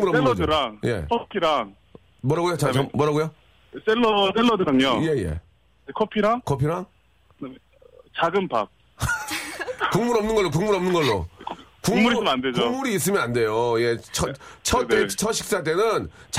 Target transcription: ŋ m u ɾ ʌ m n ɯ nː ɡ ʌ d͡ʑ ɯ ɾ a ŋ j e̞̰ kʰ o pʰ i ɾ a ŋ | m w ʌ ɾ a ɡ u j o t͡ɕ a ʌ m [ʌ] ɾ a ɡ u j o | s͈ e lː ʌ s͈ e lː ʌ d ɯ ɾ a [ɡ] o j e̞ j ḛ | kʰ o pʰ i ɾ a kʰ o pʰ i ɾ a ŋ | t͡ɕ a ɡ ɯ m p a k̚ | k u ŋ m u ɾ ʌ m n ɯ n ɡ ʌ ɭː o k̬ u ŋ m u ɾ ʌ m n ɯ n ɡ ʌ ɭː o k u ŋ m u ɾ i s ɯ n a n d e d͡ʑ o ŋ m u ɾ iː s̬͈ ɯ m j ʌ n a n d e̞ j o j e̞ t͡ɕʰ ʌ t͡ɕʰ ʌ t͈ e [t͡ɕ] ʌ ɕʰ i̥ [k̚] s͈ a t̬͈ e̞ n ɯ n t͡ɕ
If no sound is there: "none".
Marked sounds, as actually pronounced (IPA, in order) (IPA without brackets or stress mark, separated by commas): ʌ, ŋ, t͡ɕʰ, k̚